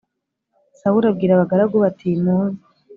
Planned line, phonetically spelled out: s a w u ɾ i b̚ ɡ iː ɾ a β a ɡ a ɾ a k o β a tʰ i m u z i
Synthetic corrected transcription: s a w u ɾ a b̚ ɡ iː ɾ a β a ɡ a ɾ a ɡ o β a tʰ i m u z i